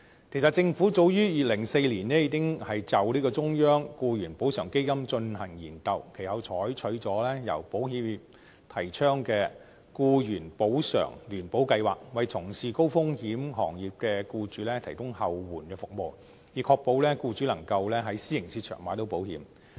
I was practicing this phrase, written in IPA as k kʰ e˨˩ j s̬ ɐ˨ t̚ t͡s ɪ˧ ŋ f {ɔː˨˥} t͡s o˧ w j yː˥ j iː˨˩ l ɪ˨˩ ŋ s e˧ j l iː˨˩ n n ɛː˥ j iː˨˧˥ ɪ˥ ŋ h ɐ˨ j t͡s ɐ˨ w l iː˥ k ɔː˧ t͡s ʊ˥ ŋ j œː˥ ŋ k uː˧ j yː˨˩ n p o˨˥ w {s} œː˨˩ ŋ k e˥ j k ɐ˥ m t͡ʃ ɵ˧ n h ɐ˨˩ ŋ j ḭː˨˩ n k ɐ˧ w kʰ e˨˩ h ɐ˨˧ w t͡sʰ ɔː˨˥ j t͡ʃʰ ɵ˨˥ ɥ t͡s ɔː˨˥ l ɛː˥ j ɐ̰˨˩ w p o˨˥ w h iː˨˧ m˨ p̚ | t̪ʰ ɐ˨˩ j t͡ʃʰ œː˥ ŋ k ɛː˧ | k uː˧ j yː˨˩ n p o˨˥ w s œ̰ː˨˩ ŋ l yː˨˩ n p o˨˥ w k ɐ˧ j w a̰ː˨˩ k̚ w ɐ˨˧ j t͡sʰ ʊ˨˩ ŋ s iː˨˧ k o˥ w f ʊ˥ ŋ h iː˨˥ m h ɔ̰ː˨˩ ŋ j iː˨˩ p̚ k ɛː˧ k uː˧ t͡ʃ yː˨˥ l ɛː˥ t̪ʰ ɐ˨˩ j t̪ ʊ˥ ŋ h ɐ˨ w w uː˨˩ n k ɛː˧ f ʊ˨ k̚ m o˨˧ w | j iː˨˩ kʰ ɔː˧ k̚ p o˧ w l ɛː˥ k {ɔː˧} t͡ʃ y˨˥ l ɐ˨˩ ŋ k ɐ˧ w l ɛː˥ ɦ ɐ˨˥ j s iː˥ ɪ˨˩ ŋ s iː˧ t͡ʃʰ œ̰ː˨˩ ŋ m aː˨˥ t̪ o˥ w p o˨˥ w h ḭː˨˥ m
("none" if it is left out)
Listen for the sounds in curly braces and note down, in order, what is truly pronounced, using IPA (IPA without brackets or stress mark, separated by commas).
uː˨˥, s, uː˧